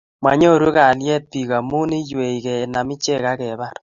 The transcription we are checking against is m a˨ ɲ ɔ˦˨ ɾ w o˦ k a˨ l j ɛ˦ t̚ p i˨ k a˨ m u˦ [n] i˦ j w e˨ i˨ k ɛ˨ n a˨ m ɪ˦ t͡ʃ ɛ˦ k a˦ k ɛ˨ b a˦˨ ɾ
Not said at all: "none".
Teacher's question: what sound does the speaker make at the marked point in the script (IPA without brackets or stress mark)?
n